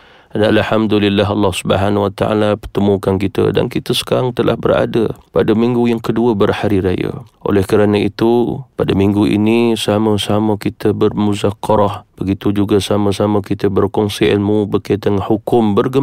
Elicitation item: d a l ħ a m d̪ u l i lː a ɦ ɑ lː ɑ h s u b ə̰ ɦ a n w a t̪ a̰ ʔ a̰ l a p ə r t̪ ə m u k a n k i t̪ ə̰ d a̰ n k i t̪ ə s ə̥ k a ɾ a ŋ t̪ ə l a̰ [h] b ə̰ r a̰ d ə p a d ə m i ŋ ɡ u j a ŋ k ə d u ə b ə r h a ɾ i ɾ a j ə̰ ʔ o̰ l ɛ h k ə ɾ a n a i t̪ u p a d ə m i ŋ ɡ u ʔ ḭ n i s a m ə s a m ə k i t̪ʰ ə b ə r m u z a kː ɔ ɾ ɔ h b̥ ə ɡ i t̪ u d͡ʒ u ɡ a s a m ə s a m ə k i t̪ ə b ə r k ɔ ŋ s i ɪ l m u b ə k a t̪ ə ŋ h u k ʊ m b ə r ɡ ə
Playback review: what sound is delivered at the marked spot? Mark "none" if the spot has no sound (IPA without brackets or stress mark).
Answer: h